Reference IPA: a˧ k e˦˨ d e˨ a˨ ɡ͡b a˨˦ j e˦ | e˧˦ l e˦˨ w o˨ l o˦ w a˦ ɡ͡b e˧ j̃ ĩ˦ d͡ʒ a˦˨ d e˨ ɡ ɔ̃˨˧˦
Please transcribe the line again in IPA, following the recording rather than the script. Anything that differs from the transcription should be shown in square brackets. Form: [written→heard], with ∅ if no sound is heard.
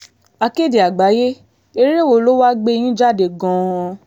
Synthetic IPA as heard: a˧ k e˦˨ d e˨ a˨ ɡ͡b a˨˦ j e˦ | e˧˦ [l→ɾ] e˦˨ w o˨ l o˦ w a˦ ɡ͡b e˧ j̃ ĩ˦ d͡ʒ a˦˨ d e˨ ɡ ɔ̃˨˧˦